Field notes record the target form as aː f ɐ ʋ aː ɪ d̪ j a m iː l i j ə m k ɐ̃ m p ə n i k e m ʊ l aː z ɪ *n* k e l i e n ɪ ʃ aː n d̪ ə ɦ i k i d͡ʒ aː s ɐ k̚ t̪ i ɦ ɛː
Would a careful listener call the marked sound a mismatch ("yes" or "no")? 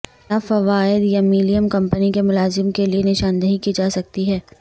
yes